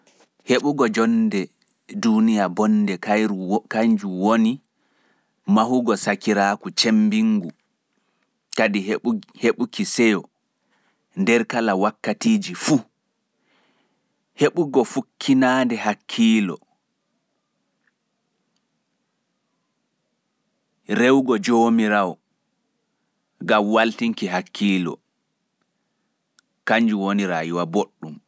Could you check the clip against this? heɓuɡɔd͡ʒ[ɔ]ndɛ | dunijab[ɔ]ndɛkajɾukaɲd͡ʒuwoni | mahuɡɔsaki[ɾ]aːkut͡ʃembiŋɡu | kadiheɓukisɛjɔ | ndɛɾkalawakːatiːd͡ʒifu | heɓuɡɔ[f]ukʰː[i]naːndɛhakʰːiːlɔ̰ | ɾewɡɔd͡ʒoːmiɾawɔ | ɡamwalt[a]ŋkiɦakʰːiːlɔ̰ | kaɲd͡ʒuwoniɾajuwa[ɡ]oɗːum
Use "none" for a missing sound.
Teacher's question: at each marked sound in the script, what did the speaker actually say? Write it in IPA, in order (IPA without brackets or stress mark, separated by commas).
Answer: ɔ, ɔ, ɾ, f, i, i, b